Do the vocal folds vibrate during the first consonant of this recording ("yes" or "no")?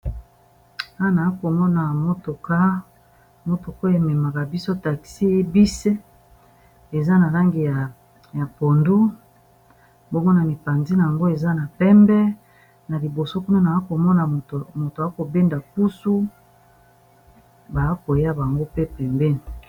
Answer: yes